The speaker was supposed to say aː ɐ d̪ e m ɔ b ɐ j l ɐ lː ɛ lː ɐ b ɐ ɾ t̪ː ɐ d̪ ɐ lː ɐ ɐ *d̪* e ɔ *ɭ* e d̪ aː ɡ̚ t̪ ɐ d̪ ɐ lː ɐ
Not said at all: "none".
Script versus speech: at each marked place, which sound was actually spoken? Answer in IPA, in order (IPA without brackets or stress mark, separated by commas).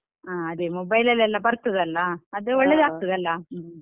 d̪, ɭː